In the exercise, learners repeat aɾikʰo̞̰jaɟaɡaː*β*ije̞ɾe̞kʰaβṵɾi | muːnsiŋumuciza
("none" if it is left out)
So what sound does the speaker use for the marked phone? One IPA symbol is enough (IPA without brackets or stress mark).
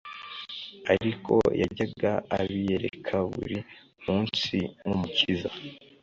β